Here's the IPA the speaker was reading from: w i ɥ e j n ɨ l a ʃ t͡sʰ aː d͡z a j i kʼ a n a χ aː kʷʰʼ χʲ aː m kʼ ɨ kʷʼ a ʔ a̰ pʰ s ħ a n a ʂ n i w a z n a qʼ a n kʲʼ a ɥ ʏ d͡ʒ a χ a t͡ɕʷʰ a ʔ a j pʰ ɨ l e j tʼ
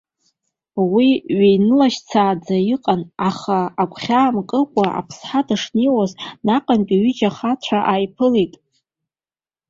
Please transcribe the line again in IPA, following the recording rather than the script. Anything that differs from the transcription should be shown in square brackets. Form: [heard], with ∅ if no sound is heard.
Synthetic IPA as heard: w i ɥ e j n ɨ l a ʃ t͡sʰ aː d͡z a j i [qʼ] a n a χ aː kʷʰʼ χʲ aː m kʼ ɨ kʷʼ a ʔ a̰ pʰ s ħ a [d] a ʂ n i w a z n a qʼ a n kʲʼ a ɥ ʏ d͡ʒ a χ a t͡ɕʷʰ a ʔ a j pʰ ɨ l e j tʼ